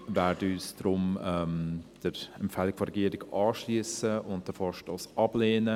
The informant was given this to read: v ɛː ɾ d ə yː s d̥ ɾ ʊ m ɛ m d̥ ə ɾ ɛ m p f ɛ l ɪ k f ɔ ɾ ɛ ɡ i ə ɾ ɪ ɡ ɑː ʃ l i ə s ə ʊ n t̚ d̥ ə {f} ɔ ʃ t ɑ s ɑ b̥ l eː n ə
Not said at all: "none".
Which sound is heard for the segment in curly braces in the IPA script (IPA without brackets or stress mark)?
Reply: f